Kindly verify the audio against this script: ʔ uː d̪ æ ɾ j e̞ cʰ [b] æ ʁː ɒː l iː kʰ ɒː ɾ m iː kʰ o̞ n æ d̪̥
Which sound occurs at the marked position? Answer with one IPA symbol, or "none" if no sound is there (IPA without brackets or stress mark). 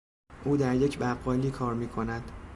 b